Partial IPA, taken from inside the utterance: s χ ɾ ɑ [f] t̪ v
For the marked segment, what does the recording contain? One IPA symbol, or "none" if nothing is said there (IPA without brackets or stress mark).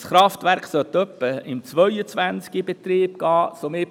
f